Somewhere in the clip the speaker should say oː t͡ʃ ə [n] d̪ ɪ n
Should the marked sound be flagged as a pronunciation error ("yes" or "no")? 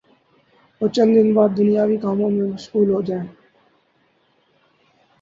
no